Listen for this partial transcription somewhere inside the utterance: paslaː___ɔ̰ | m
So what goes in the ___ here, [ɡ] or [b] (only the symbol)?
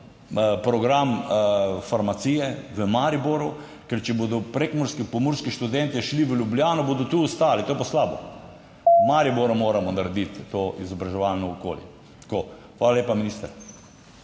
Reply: b